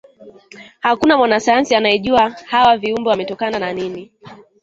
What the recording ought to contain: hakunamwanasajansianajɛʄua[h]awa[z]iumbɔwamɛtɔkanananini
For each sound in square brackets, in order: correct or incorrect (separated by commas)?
correct, incorrect